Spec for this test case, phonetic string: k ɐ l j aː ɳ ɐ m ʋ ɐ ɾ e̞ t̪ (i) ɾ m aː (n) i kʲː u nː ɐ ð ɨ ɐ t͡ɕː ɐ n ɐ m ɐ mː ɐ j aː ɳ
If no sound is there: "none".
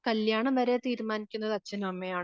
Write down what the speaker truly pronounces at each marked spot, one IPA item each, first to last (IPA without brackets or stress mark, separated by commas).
iː, n